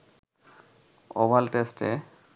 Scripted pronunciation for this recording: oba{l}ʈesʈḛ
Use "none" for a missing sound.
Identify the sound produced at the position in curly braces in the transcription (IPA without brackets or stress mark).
l